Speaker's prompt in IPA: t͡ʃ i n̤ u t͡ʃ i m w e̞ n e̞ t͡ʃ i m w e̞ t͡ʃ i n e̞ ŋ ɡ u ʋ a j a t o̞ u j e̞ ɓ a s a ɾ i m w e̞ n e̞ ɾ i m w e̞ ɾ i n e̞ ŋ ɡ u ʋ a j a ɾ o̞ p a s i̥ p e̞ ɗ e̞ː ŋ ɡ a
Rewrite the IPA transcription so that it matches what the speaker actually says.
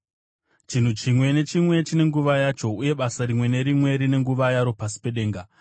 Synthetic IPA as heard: t͡ʃ i n̤ u t͡ʃ i m w e̞ n e̞ t͡ʃ i m w e̞ t͡ʃ i n e̞ ŋ ɡ u ʋ a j a t͡ʃ o̞ u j e̞ ɓ a s a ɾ i m w e̞ n e̞ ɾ i m w e̞ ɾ i n e̞ ŋ ɡ u ʋ a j a ɾ o̞ p a s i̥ p e̞ ɗ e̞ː ŋ ɡ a

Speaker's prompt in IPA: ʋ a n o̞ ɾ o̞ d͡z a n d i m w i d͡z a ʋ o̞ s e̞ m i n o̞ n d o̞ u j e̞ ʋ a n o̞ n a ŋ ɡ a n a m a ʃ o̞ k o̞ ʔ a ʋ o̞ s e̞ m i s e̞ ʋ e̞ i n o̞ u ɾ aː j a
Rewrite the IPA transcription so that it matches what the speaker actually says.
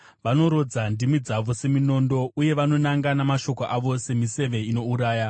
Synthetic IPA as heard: ʋ a n o̞ ɾ o̞ d͡z a n d i m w i d͡z a ʋ o̞ s e̞ m i n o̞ n d o̞ u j e̞ ʋ a n o̞ n a ŋ ɡ a n a m a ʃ o̞ k o̞ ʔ a ʋ o̞ s e̞ m i s e̞ ʋ e̞ i n o̞ u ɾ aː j a

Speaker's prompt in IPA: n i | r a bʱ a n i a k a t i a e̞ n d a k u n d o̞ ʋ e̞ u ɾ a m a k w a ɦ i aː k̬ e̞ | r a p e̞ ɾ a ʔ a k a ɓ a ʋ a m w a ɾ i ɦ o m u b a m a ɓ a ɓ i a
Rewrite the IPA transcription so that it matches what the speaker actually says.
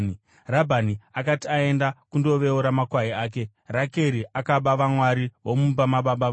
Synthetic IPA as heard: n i | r a bʱ a n i a k a t i a e̞ n d a k u n d o̞ ʋ e̞ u ɾ a m a k w a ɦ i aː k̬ e̞ | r a k e̞ ɾ i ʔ a k a ɓ a ʋ a m w a ɾ i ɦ o m u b a m a ɓ a ɓ a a

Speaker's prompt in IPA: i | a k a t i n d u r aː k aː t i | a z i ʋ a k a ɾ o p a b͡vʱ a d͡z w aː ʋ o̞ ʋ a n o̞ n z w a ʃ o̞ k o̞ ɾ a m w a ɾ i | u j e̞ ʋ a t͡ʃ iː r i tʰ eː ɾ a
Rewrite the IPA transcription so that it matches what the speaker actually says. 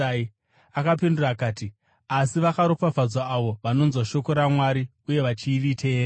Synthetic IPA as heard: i | a k a p i n d u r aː k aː t i | a s i ʋ a k a ɾ o p a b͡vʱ a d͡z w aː ʋ o̞ ʋ a n o̞ n z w a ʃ o̞ k o̞ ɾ a m w a ɾ i | u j e̞ ʋ a t͡ʃ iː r i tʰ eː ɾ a

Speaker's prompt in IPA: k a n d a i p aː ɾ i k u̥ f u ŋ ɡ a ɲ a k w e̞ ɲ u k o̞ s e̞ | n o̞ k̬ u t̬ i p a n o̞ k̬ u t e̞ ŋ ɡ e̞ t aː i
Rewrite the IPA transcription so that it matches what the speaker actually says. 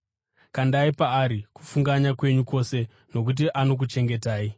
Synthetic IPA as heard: k a n d a i p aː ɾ i k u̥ f u ŋ ɡ a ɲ a k w e̞ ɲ u k o̞ s e̞ | n o̞ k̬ u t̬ i ʔ a n o̞ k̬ u t͡ʃ e̞ ŋ ɡ e̞ t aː i

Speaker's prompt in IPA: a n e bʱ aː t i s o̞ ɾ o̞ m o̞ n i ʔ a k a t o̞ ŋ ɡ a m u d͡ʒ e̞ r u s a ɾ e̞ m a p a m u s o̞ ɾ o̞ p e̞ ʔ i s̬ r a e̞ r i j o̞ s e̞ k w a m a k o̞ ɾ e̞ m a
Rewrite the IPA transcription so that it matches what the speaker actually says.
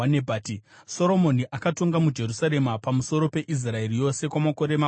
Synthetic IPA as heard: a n e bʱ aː t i s o̞ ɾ o̞ m o̞ n i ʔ a k a t o̞ ŋ ɡ a m u d͡ʒ e̞ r u s a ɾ e̞ m a p a m u s o̞ ɾ o̞ p e̞ ʔ i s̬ r a e̞ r i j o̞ s e̞ k w a m a k o̞ ɾ e̞ m a

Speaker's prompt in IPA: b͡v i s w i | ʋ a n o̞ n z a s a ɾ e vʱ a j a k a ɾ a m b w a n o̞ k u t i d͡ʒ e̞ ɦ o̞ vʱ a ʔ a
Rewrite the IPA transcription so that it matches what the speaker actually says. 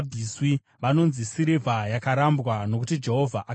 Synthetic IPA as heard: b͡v i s w i | ʋ a n o̞ n z i s i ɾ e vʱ a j a k a ɾ a m b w a n o̞ k u t i d͡ʒ e̞ ɦ o̞ vʱ a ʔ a

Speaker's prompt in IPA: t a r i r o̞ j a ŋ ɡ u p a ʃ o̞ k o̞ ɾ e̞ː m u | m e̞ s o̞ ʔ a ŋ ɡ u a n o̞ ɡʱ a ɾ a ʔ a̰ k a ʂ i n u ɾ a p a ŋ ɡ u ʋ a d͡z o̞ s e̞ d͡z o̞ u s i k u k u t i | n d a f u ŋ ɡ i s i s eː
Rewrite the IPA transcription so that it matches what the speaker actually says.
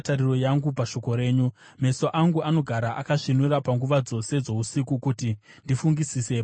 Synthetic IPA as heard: t a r i r o̞ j a ŋ ɡ u p a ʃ o̞ k o̞ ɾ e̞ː ɲ u | m e̞ s o̞ ʔ a ŋ ɡ u a n o̞ ɡʱ a ɾ a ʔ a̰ k a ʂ i n u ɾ a p a ŋ ɡ u ʋ a d͡z o̞ s e̞ d͡z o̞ u s i k u k u t i | n d i f u ŋ ɡ i s i s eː

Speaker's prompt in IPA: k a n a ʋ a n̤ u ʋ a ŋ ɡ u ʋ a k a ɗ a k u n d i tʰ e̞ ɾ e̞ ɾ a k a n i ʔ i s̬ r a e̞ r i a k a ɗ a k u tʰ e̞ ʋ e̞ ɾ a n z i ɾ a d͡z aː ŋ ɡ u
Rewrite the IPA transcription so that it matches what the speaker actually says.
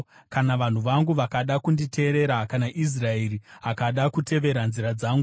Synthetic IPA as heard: k a n a ʋ a n̤ u ʋ a ŋ ɡ u ʋ a k a ɗ a k u n d i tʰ e̞ ɾ e̞ ɾ a k a n a ʔ i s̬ r a e̞ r i a k a ɗ a k u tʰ e̞ ʋ e̞ ɾ a n z i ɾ a d͡z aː ŋ ɡ u

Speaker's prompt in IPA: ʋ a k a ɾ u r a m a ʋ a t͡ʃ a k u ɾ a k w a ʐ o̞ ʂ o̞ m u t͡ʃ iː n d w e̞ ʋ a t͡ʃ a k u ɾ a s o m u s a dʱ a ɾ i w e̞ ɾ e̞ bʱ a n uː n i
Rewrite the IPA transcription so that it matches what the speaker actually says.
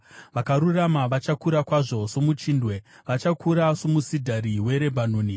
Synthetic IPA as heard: ʋ a k a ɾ u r a m a ʋ a t͡ʃ a k u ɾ a k w a ʐ o̞ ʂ o̞ m u t͡ʃ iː n d w e̞ ʋ a t͡ʃ a k u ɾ a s o m u s i dʱ a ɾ i w e̞ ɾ e̞ bʱ a n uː n i

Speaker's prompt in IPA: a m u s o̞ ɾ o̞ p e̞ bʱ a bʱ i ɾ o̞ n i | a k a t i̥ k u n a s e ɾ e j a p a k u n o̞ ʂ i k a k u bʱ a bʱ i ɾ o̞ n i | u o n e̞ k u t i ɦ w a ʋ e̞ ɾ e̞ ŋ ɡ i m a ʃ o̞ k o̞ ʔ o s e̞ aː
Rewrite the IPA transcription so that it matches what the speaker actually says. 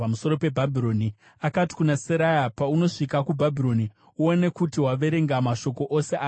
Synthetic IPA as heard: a m u s o̞ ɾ o̞ p e̞ bʱ a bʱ i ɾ o̞ n i | a k a t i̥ k u n a s e ɾ a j a p a u n o̞ ʂ i k a k u bʱ a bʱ i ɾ o̞ n i | u o n e̞ k u t i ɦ w a ʋ e̞ ɾ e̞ ŋ ɡ a m a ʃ o̞ k o̞ ʔ o s e̞ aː

